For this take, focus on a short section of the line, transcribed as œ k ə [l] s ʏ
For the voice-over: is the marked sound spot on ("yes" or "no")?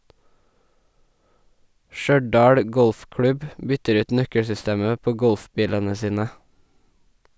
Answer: no